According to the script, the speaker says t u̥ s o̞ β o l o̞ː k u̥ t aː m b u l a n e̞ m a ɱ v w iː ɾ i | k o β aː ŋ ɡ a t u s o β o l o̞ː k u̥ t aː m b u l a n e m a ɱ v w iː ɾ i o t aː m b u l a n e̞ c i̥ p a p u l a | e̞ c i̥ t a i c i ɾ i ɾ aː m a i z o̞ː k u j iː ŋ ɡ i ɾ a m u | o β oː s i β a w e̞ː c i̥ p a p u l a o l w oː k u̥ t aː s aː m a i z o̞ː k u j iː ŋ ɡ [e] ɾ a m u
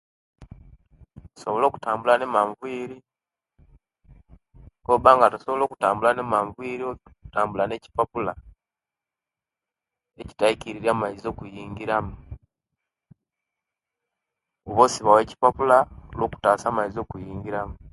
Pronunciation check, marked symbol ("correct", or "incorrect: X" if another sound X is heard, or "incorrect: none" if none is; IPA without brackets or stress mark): incorrect: i